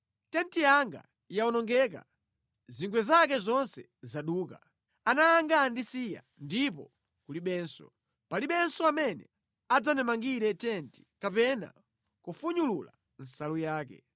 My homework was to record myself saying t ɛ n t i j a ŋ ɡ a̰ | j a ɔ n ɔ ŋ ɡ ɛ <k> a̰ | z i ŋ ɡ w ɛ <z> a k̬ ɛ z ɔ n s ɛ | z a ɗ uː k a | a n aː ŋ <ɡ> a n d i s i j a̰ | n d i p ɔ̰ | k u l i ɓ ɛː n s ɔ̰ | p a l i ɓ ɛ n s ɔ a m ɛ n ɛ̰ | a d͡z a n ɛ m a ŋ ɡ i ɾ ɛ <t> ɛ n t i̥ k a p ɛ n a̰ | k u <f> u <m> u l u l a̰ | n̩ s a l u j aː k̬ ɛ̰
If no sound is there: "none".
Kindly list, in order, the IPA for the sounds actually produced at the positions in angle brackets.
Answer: k, z, ɡ, t, f, ɲ

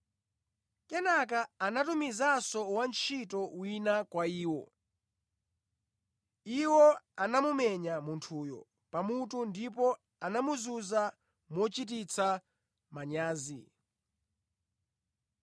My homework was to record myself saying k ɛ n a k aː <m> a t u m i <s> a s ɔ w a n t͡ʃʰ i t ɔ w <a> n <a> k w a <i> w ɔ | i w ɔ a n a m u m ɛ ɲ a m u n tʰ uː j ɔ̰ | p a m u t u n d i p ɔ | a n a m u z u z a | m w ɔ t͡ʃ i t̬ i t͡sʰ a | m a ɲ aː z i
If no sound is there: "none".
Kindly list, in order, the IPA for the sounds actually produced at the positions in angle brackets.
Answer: n, z, i, a, iː

